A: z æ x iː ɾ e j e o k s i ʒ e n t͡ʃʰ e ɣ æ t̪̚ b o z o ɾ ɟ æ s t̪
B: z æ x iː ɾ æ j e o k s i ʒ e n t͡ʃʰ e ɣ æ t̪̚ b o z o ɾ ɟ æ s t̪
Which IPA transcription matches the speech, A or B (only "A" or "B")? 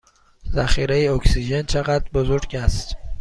A